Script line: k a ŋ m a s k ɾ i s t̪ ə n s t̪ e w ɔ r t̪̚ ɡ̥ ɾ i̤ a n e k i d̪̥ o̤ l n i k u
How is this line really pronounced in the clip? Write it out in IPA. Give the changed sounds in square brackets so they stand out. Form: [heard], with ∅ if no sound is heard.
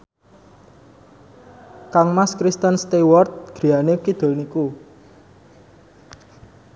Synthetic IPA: k a ŋ m a s k ɾ i s t̪ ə n s t̪ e w ɔ r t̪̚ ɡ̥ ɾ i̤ a n e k i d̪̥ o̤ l n i k u